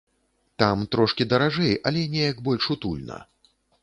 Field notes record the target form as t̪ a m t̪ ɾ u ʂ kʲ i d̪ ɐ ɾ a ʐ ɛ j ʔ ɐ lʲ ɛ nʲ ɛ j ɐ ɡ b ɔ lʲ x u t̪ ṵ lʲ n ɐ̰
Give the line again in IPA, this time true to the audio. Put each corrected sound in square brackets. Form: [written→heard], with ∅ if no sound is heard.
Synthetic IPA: t̪ a m t̪ ɾ [u→ɔ] ʂ kʲ i d̪ ɐ ɾ a ʐ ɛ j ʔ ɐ lʲ ɛ nʲ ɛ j ɐ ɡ b ɔ lʲ [x→ʂ] u t̪ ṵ lʲ n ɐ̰